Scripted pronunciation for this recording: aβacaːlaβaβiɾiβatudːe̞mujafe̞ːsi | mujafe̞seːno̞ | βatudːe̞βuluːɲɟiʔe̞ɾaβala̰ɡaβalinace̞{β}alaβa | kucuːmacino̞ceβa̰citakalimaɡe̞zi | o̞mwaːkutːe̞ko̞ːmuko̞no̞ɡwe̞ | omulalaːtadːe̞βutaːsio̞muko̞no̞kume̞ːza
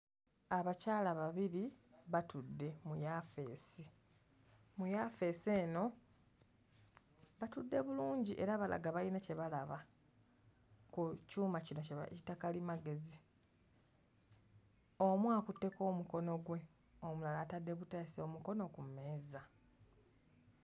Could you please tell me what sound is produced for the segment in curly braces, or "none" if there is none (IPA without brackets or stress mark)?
β